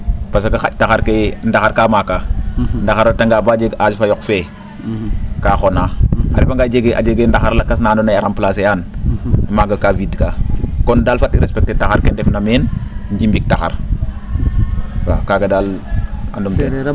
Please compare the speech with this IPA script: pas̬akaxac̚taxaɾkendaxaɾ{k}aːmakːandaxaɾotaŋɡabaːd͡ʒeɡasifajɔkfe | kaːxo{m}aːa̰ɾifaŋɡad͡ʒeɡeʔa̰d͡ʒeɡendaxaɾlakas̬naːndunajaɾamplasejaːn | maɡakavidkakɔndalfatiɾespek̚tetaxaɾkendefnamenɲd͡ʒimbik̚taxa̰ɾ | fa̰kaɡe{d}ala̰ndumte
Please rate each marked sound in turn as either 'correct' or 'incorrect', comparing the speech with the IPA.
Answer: correct, incorrect, correct

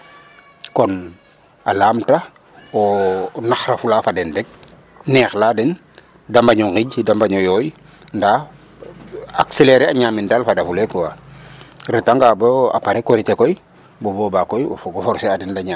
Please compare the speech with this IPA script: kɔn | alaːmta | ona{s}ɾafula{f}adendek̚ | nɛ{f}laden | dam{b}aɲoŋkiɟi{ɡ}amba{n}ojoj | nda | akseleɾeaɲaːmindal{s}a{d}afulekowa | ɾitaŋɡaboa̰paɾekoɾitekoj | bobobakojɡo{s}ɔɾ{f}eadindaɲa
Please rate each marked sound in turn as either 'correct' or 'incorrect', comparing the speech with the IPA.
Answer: incorrect, correct, incorrect, correct, incorrect, incorrect, incorrect, correct, incorrect, incorrect

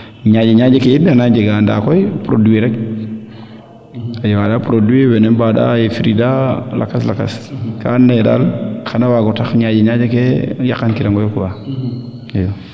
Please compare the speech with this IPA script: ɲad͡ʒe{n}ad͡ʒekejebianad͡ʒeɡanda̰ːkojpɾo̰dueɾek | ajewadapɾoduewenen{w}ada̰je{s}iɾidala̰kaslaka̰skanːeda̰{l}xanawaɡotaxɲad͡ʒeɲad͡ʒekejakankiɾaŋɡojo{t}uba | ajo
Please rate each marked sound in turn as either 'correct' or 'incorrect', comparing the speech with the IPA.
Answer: incorrect, incorrect, incorrect, correct, incorrect

